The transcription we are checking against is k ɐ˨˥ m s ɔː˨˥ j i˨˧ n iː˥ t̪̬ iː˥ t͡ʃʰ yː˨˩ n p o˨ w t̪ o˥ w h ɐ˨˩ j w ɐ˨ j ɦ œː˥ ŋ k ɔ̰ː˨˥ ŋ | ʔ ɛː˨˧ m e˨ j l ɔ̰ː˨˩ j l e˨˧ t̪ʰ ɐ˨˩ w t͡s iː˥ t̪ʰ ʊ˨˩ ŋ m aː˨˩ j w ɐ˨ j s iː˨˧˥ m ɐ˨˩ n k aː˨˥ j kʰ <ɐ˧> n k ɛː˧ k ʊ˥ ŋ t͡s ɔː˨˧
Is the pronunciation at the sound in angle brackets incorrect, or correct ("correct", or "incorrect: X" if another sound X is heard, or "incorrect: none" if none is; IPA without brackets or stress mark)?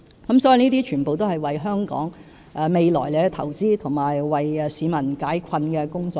correct